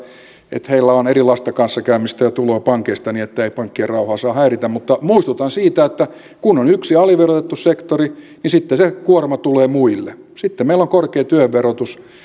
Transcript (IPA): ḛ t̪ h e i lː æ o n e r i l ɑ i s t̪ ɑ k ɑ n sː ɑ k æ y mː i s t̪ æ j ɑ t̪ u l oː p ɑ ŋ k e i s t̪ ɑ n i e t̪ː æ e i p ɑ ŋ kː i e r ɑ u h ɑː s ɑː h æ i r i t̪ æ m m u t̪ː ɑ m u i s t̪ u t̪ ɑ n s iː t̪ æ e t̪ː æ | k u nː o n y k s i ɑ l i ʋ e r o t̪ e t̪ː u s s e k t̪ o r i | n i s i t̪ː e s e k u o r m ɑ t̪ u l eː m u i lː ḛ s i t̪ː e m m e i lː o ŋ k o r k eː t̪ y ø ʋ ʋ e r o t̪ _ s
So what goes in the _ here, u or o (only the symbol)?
u